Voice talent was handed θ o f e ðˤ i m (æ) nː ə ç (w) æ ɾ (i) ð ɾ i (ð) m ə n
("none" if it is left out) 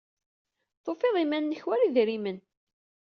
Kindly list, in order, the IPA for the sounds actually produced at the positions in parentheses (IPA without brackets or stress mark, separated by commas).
æ, w, i, none